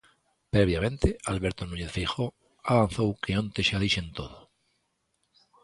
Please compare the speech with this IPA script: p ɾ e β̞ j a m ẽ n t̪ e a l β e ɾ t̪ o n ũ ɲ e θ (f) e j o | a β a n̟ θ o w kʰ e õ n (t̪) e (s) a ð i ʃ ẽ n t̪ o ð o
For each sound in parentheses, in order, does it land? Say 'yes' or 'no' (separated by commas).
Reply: yes, yes, no